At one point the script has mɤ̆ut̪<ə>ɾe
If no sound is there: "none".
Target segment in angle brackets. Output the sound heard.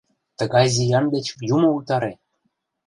ɑ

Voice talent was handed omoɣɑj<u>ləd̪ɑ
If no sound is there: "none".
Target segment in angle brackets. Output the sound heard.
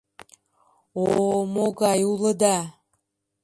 u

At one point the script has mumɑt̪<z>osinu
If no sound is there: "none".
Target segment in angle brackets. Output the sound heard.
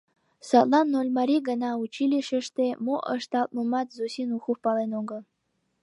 z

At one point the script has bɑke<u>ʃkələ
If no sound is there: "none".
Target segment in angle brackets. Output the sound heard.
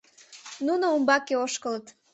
o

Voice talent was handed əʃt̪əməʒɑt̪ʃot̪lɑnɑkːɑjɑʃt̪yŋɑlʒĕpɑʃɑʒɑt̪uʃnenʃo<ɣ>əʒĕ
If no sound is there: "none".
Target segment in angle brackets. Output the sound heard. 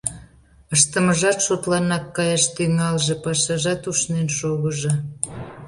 ɣ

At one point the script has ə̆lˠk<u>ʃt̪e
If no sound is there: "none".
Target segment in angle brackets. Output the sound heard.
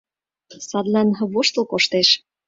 o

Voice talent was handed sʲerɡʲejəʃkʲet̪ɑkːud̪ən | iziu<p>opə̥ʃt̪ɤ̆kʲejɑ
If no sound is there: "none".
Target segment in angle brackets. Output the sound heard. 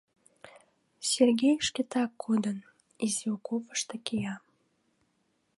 k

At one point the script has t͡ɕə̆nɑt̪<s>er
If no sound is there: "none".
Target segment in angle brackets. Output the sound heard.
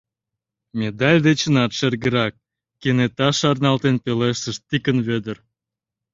ʃ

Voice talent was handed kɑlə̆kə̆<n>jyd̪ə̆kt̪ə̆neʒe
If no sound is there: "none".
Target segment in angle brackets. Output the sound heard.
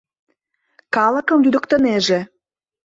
m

